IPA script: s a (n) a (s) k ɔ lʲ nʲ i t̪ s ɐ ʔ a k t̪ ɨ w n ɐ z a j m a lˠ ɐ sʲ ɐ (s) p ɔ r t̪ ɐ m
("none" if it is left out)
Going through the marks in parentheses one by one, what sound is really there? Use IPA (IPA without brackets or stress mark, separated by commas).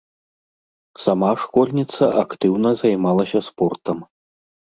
m, ʂ, s